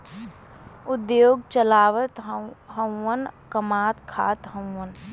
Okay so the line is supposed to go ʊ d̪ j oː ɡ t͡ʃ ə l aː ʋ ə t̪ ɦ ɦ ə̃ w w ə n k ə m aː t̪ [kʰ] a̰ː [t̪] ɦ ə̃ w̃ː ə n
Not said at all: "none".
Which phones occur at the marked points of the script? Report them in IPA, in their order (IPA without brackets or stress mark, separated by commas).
kʰ, t̪